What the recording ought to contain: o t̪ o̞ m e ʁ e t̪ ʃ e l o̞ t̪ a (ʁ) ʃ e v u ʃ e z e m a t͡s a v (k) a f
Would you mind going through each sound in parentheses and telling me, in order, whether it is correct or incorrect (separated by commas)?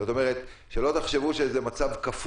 incorrect, correct